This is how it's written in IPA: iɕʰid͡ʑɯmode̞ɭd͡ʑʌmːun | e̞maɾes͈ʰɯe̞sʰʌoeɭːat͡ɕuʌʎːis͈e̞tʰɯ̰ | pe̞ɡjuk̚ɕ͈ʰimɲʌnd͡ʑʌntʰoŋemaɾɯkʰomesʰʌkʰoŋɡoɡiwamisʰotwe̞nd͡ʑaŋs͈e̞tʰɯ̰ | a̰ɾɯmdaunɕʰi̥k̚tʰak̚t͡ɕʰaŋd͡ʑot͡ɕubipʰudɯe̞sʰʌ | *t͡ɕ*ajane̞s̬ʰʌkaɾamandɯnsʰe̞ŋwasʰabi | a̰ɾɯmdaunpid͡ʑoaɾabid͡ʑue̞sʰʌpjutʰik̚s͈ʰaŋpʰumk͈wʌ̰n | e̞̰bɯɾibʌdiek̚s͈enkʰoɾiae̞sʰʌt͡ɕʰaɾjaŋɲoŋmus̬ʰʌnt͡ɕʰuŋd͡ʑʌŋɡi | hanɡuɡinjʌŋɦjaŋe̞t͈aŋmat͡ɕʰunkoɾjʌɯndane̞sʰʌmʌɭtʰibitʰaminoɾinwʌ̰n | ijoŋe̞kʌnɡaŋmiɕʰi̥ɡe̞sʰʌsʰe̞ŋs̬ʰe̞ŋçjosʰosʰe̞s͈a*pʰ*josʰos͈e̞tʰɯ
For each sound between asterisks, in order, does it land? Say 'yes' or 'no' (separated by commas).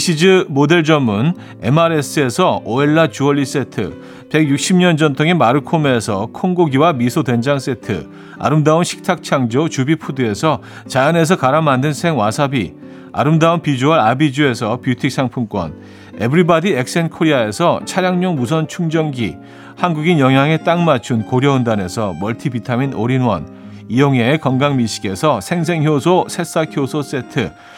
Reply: yes, no